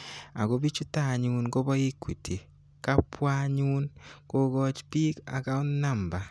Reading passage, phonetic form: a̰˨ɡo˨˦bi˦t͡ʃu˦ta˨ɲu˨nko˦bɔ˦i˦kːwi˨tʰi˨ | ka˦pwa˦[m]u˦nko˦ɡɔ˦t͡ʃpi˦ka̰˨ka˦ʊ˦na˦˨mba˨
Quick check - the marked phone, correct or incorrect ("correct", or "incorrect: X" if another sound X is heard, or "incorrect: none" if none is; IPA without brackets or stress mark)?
incorrect: ɲ